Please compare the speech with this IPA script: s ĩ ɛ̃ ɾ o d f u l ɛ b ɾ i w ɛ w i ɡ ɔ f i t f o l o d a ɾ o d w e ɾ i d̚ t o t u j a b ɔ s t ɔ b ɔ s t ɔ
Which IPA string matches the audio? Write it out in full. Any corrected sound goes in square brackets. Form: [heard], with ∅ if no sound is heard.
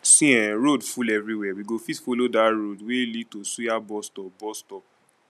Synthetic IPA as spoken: s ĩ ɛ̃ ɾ o d f u l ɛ [v] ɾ i w ɛ w i ɡ [o] f i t f o l o d a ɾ o d w e [l] i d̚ t o [s] u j a b ɔ s t ɔ b ɔ s t ɔ